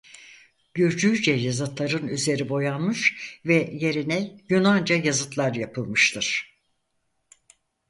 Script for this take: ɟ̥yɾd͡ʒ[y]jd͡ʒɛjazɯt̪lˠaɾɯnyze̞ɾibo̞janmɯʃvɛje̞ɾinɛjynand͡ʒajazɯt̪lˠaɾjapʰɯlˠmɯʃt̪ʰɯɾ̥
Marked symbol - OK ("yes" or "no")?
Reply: yes